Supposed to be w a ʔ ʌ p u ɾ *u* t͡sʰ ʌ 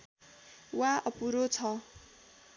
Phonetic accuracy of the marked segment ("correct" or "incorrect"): incorrect